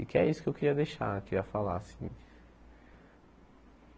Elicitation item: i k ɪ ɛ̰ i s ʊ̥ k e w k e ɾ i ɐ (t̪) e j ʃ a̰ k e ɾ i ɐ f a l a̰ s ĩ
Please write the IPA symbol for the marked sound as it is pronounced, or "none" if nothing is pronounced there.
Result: d̪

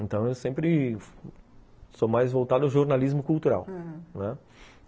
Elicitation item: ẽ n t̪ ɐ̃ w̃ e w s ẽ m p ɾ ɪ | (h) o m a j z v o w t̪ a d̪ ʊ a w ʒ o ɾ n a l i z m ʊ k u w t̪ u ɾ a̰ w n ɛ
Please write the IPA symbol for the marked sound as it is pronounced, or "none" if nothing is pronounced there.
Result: s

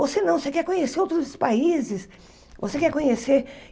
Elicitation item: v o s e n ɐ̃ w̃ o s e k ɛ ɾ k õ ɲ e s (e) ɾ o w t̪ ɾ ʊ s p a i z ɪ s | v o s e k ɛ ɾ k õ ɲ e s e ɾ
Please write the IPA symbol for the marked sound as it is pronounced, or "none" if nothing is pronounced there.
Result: e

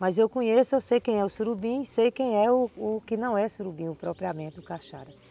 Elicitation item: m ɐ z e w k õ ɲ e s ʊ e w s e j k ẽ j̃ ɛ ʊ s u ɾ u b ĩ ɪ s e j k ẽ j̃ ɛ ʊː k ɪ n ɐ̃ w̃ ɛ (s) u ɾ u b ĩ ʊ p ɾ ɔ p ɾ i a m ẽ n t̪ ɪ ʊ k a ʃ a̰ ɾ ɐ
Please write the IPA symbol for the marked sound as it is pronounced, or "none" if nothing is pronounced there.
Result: s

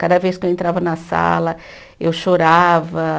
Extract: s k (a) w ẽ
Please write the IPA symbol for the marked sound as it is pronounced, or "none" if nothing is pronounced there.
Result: e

